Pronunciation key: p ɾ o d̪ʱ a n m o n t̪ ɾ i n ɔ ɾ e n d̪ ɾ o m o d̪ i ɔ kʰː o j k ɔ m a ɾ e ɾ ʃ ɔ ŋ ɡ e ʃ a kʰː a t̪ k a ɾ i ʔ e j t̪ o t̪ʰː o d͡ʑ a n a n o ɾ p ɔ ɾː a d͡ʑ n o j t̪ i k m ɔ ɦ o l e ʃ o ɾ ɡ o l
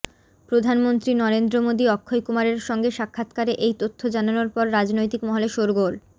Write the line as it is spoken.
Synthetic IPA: p ɾ o d̪ʱ a n m o n t̪ ɾ i n ɔ ɾ e n d̪ ɾ o m o d̪ i ɔ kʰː o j k u m a ɾ e ɾ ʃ ɔ ŋ ɡ e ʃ a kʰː a t̪ k a ɾ e ʔ e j t̪ o t̪ʰː o d͡ʑ a n a n o ɾ p ɔ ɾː a d͡ʑ n o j t̪ i k m ɔ ɦ o l e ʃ o ɾ ɡ o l